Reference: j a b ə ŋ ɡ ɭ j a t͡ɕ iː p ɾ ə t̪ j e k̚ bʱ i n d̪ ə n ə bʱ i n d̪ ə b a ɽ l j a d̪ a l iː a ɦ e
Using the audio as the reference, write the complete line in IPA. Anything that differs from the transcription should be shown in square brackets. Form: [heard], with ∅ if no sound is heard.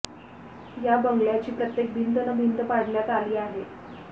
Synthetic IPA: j a b ə ŋ ɡ ɭ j a t͡ɕ iː p ɾ ə t̪ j e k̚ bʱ i n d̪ ə n ə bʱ i n d̪ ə [p] a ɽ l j a [t̪] a l iː a ɦ e